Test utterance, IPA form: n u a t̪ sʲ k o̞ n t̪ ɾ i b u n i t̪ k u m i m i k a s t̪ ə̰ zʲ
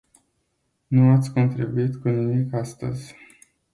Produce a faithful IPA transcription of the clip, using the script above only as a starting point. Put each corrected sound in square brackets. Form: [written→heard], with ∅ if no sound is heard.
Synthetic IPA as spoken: n u a t̪ sʲ k o̞ n t̪ ɾ i b u [n→∅] i t̪ k u [m→n] i m i k a s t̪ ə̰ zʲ